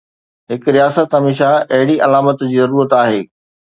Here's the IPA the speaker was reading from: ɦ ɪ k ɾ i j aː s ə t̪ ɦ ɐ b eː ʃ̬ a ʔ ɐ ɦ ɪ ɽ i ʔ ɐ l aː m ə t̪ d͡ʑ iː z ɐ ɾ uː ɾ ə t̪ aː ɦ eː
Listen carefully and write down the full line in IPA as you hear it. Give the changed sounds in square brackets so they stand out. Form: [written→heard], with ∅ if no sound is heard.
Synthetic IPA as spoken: ɦ ɪ k ɾ i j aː s ə t̪ ɦ ɐ [b→m] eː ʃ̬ a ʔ ɐ ɦ ɪ ɽ i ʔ ɐ l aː m ə t̪ d͡ʑ iː z ɐ ɾ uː ɾ ə t̪ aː ɦ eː